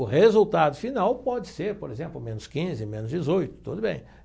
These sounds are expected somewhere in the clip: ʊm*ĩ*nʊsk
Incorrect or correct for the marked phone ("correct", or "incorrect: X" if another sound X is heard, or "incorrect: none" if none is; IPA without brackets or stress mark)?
incorrect: ẽ